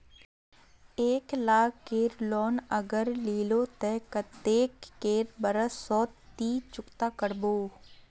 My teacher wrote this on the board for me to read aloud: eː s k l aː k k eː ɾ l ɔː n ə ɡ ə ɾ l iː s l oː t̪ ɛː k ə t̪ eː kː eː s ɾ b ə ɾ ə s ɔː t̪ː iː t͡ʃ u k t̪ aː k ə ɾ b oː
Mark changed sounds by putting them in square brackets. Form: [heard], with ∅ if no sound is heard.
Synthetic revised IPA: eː [∅] k l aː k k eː ɾ l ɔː n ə ɡ ə ɾ l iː [∅] l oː t̪ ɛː k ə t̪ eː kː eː [∅] ɾ b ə ɾ ə s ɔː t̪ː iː t͡ʃ [ʊ] k t̪ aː k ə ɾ b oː

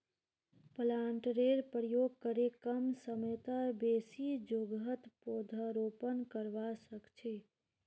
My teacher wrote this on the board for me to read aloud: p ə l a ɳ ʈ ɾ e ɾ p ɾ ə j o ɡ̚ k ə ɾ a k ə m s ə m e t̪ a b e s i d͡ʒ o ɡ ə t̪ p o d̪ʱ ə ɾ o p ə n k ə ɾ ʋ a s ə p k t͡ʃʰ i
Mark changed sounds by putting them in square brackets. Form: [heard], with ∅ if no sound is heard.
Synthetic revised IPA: p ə l a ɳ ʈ ɾ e ɾ p ɾ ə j o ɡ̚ k ə ɾ [e] k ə m s ə m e t̪ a b e s i d͡ʒ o ɡ ə t̪ p o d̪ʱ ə ɾ o p ə n k ə ɾ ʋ a s ə [∅] k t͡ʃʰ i

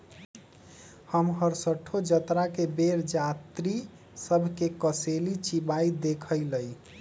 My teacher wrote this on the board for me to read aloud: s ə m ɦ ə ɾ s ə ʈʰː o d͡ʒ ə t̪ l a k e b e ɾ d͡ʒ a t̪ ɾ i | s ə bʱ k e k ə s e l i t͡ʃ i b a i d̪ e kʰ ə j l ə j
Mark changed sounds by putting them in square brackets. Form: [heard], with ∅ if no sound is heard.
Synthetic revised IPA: [h] ə m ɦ ə ɾ s ə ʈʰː o d͡ʒ ə t̪ [ɾ] a k e b e ɾ d͡ʒ a t̪ ɾ i | s ə bʱ k e k ə s e l i t͡ʃ i b a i d̪ e kʰ ə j l ə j

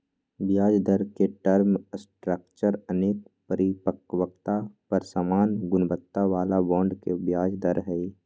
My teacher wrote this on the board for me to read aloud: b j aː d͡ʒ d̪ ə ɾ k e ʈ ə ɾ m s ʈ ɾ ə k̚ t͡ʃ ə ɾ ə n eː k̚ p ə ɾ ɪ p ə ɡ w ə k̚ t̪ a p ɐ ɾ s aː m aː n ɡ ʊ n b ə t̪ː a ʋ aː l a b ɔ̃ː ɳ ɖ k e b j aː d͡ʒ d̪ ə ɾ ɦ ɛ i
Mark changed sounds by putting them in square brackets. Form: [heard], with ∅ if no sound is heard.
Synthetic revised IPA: b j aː d͡ʒ d̪ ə ɾ k e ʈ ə ɾ m s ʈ ɾ ə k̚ t͡ʃ ə ɾ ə n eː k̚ p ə ɾ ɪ p ə [k] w ə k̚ t̪ a p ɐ ɾ s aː m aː n ɡ ʊ n b ə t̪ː a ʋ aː l a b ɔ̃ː ɳ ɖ k e b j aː d͡ʒ d̪ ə ɾ ɦ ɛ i

